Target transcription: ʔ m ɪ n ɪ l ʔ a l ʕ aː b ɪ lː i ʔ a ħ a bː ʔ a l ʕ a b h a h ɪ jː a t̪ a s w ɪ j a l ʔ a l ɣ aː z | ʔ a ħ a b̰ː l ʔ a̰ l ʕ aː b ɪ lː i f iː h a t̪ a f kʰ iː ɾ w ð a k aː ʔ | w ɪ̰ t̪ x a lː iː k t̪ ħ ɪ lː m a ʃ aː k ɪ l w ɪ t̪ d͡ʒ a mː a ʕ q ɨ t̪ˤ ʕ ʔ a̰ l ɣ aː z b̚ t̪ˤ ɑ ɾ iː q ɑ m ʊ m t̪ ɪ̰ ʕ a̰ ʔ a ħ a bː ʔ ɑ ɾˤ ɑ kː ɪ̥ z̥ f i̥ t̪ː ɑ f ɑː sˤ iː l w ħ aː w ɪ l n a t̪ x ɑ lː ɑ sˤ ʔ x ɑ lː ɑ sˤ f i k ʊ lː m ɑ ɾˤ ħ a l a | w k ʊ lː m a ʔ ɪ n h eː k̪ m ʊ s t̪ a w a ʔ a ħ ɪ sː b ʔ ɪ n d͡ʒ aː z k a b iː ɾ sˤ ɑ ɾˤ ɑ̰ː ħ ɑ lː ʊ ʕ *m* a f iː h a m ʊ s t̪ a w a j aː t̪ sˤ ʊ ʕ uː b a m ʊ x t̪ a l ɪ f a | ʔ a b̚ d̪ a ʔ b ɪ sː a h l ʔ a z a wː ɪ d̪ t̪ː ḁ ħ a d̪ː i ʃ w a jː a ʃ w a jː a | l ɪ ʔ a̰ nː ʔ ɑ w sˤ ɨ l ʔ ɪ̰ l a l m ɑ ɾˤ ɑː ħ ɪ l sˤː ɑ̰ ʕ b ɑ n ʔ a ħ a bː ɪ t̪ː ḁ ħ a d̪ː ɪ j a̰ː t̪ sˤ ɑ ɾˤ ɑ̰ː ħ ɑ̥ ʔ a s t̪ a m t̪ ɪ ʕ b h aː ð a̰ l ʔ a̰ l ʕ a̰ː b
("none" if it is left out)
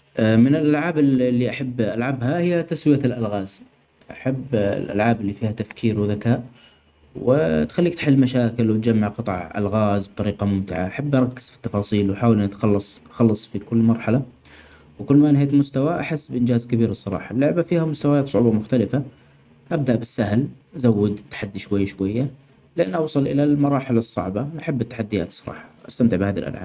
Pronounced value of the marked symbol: b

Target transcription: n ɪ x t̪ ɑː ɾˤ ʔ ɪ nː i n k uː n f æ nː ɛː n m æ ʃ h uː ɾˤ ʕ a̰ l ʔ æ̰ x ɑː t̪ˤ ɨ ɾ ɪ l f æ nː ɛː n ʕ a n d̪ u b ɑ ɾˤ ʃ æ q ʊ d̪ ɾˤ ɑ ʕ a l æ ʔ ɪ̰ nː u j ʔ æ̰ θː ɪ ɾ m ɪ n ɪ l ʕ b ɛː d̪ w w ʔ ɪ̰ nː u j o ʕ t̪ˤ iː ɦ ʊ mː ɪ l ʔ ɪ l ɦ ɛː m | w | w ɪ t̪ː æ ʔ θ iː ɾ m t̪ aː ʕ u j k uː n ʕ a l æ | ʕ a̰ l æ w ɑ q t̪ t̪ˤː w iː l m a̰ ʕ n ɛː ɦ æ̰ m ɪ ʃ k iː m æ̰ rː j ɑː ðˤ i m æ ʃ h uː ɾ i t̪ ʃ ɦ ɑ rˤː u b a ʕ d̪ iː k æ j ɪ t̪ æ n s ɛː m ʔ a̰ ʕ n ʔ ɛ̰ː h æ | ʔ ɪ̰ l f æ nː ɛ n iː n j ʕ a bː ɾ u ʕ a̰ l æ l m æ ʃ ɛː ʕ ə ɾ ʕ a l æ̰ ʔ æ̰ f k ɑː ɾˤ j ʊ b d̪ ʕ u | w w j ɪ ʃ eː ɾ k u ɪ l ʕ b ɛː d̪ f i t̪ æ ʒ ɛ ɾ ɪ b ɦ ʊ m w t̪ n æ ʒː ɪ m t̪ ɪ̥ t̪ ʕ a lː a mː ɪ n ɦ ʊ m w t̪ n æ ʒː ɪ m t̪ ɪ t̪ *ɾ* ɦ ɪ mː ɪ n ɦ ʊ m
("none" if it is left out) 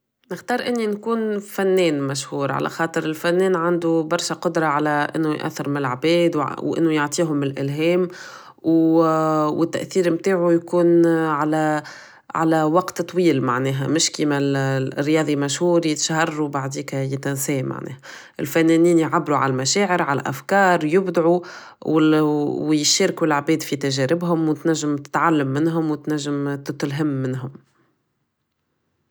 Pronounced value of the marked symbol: l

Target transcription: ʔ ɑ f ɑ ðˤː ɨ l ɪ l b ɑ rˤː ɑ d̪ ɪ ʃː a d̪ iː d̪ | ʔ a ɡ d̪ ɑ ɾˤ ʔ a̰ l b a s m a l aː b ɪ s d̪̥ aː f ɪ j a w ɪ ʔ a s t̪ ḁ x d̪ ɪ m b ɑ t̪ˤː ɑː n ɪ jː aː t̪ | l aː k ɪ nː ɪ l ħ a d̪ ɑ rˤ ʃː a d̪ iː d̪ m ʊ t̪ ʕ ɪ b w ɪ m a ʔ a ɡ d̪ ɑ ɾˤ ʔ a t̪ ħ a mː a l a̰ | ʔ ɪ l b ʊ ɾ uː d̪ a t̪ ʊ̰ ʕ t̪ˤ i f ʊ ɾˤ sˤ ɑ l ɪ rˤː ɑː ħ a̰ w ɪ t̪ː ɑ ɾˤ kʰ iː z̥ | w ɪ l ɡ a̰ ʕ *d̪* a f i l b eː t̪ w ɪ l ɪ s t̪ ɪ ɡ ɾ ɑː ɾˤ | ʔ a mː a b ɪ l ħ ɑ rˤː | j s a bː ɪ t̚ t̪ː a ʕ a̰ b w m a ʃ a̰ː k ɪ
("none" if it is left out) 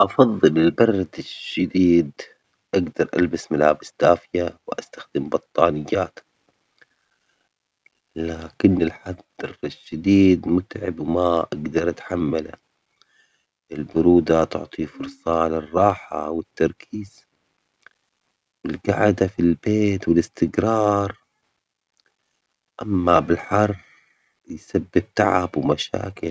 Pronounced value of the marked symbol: d̪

